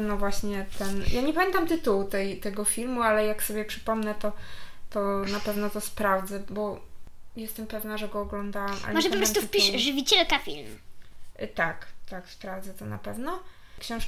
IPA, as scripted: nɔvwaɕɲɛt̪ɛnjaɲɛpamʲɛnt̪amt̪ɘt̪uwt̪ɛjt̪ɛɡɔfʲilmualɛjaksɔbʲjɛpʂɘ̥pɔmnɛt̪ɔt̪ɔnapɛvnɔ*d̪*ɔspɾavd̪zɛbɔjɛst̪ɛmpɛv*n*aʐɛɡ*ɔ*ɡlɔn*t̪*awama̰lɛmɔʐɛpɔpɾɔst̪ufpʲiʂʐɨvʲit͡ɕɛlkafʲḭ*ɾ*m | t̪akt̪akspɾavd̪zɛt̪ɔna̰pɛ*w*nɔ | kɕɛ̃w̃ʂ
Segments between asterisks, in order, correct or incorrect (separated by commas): incorrect, correct, incorrect, incorrect, incorrect, incorrect